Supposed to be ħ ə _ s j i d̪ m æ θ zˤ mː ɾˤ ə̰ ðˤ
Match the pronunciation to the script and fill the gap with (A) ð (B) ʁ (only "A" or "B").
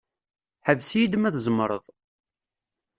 A